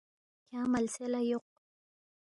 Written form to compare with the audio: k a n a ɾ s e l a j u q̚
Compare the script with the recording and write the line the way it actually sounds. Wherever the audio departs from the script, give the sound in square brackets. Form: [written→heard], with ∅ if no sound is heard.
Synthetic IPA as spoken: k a [n→m] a [ɾ→l] s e l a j [u→o] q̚

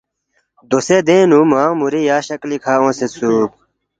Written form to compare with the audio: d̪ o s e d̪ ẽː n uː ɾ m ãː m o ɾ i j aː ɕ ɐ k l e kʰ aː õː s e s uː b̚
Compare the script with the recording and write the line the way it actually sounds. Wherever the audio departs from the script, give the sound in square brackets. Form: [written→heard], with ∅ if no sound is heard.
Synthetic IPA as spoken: d̪ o s e d̪ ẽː n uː [ɾ→∅] m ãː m [o→u] ɾ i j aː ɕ ɐ k l [e→i] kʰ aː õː s e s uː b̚

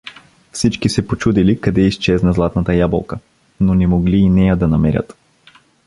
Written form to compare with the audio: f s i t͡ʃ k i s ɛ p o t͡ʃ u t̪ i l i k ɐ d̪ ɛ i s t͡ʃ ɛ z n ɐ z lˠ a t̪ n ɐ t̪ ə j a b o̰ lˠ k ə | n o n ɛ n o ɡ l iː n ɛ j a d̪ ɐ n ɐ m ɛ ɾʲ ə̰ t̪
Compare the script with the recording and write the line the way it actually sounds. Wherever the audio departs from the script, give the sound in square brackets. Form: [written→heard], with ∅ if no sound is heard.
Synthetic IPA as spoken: f s i t͡ʃ k i s ɛ p o t͡ʃ u [t̪→d̪] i l i k ɐ d̪ ɛ i s t͡ʃ ɛ z n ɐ z lˠ a t̪ n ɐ t̪ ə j a b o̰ lˠ k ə | n o n ɛ [n→m] o ɡ l iː n ɛ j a d̪ ɐ n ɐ m ɛ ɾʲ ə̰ t̪

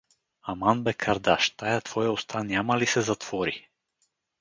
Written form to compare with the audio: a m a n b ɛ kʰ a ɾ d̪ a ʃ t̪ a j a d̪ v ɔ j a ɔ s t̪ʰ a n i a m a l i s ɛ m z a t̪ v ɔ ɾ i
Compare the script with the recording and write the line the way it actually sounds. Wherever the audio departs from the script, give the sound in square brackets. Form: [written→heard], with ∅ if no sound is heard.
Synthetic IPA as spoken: a m a n b ɛ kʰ a ɾ d̪ a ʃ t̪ a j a [d̪→t̪] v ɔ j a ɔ s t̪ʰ a n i a m a l i s ɛ [m→∅] z a t̪ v ɔ ɾ i

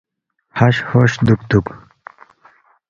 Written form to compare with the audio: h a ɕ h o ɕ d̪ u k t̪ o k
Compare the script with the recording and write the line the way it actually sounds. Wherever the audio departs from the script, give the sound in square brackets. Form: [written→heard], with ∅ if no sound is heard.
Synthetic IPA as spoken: h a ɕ h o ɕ d̪ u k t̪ [o→u] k

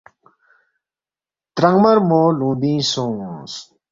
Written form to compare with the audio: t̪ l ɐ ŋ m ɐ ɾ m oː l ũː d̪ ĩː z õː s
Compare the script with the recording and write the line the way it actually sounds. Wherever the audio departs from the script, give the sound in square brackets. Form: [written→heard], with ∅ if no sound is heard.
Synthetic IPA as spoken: t̪ [l→ɾ] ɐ ŋ m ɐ ɾ m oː l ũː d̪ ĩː [z→s] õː s

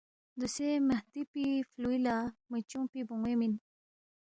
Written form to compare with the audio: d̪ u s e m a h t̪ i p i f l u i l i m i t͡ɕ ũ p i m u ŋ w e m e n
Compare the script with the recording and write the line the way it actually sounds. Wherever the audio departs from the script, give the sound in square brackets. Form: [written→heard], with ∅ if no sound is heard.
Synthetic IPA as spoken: d̪ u s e m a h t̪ i p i f l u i l [i→a] m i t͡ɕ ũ p i [m→b] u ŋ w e m [e→i] n

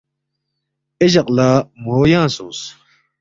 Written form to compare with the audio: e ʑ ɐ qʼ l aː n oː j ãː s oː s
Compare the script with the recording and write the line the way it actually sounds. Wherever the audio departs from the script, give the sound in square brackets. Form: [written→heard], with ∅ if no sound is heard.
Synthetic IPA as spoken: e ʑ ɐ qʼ l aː [n→m] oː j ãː s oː s

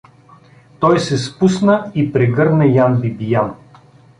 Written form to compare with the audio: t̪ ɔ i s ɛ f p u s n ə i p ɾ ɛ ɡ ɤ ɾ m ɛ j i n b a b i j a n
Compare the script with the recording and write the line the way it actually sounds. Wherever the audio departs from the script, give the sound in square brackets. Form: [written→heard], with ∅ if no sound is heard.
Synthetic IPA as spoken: t̪ ɔ [i→j] s ɛ [f→s] p u s n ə i p ɾ ɛ ɡ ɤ ɾ [m→n] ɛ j [i→a] n b [a→i] b i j a n

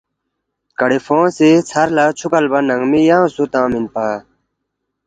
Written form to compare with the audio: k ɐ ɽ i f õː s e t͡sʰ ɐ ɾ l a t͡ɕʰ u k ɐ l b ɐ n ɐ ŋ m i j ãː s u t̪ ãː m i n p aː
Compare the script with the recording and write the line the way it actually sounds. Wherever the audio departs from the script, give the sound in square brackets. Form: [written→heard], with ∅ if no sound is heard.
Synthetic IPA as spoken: k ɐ ɽ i f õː s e t͡sʰ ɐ ɾ l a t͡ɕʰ u k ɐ l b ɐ n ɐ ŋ m i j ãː s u t̪ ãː m i n p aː

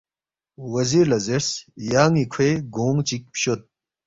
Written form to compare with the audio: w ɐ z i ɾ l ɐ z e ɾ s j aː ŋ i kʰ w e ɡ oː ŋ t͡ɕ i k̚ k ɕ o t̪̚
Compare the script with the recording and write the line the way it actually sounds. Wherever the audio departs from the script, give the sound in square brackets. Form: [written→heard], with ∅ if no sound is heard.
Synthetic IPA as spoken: w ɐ z i ɾ l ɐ z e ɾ s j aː ŋ i kʰ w e ɡ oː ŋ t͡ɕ i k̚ [k→p] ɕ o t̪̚

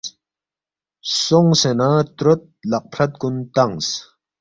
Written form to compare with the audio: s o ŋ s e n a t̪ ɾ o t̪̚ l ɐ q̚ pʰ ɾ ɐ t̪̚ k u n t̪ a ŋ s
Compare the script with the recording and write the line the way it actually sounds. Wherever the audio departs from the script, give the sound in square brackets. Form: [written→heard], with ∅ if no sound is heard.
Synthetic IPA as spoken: s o ŋ s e n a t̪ ɾ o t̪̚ l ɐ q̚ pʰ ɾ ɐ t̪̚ k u n t̪ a ŋ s

